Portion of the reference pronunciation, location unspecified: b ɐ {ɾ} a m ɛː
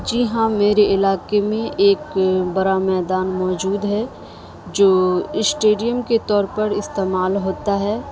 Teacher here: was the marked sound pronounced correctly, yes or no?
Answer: yes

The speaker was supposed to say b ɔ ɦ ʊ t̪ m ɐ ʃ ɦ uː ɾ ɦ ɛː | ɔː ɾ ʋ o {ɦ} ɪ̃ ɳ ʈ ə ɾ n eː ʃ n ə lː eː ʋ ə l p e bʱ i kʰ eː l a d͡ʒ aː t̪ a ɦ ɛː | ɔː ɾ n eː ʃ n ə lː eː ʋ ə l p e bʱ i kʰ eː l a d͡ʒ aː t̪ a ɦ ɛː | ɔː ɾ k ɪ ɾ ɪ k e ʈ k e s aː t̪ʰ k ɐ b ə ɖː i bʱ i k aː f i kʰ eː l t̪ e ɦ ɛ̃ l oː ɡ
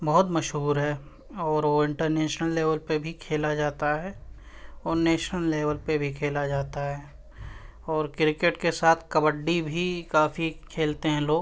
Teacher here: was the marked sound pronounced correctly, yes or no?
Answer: no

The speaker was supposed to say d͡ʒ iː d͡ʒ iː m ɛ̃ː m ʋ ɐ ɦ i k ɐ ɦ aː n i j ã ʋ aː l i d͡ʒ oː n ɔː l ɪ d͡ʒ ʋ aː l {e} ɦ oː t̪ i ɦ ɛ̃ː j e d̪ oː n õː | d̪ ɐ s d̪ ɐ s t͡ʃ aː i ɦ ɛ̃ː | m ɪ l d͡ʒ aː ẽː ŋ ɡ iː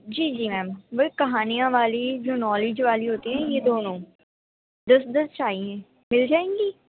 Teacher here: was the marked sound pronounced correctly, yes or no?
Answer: no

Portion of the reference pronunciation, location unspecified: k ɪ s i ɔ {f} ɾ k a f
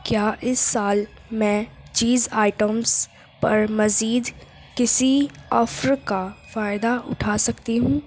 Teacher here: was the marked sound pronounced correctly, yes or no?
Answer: yes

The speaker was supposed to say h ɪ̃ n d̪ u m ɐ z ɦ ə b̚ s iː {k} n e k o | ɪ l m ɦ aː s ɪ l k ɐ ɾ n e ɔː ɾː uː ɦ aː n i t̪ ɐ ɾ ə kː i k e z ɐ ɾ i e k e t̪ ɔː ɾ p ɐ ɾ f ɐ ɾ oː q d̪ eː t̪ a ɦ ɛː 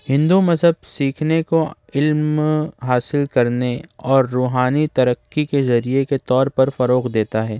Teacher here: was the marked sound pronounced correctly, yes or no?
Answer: no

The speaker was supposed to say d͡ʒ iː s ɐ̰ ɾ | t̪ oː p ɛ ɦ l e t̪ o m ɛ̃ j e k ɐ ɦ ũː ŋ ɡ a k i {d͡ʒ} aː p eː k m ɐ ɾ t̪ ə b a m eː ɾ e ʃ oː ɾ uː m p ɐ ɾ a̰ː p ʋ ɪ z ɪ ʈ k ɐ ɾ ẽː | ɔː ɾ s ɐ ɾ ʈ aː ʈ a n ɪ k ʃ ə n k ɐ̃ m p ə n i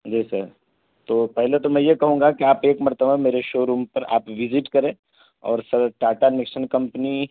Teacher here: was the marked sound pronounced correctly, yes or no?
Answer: no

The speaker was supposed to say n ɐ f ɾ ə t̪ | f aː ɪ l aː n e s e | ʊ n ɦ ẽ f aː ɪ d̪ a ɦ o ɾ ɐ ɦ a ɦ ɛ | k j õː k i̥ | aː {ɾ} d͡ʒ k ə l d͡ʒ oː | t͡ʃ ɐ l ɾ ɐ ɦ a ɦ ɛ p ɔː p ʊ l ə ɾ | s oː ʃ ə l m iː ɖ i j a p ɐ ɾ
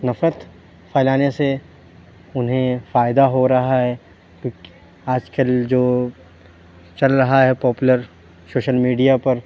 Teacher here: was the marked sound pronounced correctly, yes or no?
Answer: no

